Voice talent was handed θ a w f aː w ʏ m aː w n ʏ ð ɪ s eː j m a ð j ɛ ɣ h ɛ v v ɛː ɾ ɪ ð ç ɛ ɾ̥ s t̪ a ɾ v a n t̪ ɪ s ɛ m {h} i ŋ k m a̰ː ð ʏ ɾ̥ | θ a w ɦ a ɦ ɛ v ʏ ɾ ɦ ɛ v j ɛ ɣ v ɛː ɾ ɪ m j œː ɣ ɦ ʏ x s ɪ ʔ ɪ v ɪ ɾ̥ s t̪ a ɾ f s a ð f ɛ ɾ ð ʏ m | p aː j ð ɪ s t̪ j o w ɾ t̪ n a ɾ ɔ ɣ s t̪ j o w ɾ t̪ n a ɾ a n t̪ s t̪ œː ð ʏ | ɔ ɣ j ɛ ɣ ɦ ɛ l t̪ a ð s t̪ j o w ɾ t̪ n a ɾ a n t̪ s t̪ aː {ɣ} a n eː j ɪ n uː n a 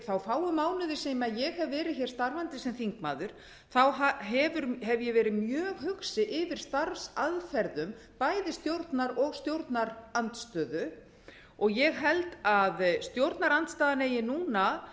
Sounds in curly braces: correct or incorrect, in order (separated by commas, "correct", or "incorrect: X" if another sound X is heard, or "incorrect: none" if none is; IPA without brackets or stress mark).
incorrect: θ, incorrect: ð